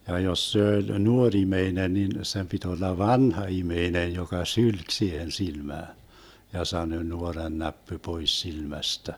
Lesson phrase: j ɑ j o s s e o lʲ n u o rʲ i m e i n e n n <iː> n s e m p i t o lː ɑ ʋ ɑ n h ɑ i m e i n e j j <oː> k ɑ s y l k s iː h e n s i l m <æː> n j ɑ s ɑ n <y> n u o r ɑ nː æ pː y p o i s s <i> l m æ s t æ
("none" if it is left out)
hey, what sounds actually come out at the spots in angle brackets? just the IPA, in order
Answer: i, o, æː, ø, i

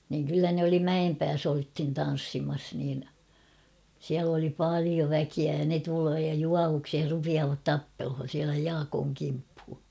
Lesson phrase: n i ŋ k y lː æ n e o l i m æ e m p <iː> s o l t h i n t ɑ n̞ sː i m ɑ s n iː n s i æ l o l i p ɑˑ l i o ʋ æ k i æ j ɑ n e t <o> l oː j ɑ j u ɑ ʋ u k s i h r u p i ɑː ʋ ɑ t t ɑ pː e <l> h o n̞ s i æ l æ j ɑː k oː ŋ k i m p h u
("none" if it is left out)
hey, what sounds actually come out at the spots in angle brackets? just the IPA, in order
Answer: æː, u, l

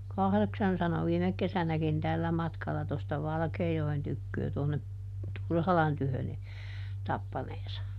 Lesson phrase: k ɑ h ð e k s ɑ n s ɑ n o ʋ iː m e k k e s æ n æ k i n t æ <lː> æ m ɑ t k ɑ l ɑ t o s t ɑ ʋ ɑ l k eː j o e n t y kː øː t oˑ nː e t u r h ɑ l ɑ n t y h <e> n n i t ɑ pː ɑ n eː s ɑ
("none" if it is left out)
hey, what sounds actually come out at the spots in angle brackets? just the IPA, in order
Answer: lː, ø

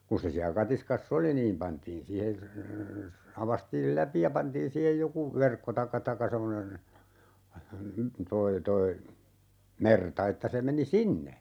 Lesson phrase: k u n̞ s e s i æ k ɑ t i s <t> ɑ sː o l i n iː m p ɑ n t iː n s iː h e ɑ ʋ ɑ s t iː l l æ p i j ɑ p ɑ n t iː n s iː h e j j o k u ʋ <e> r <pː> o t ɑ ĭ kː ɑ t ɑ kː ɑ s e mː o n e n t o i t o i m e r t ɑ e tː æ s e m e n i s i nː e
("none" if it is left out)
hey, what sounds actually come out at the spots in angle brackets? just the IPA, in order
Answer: k, e, kː

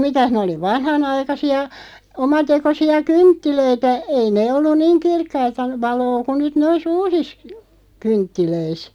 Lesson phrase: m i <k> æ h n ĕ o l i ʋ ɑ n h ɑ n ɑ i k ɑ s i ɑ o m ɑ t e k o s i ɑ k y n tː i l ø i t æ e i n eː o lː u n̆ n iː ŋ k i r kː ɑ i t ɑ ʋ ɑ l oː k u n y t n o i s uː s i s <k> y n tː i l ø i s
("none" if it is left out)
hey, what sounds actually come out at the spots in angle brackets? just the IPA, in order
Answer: t, k

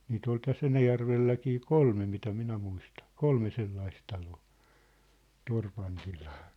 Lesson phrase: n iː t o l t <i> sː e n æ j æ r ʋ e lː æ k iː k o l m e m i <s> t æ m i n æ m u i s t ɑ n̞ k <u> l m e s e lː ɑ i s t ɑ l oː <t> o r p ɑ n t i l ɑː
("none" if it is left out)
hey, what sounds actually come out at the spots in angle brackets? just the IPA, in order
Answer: æ, none, o, t

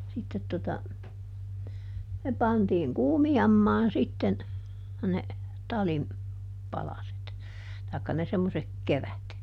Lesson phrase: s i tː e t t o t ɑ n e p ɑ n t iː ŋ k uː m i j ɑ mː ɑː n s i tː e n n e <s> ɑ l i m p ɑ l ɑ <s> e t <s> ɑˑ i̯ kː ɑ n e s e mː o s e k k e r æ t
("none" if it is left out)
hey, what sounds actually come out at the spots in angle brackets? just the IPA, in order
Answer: t, s, t

